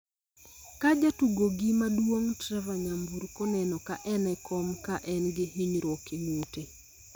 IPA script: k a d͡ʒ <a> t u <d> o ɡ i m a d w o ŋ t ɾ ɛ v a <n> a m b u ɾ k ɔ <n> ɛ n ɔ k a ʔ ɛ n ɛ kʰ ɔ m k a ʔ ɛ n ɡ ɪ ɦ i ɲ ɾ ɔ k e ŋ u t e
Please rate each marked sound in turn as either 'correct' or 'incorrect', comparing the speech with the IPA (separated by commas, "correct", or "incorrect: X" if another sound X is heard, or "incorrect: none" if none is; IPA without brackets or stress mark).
correct, incorrect: ɡ, incorrect: ɲ, correct